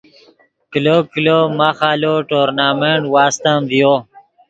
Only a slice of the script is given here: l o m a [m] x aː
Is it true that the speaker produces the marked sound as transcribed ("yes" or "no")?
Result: no